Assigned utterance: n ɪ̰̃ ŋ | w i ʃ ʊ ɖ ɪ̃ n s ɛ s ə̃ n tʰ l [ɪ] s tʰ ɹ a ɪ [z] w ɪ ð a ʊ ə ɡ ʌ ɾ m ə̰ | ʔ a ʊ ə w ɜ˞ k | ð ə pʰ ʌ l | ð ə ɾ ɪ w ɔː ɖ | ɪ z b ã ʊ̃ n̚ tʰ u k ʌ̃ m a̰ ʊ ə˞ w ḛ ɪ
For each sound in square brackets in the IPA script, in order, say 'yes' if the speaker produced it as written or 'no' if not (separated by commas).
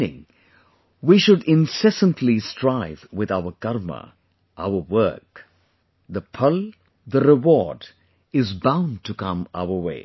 no, no